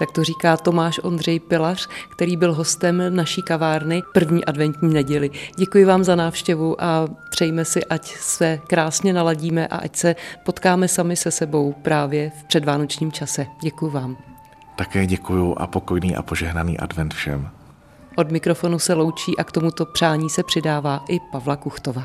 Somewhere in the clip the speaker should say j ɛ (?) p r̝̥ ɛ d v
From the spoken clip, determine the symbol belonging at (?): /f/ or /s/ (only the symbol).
f